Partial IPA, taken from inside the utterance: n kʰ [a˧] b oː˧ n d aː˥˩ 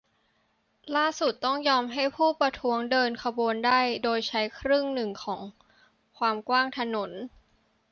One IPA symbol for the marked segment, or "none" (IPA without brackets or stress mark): a˧